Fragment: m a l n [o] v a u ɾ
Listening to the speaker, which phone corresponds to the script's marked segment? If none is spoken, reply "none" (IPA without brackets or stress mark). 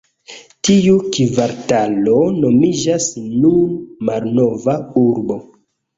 o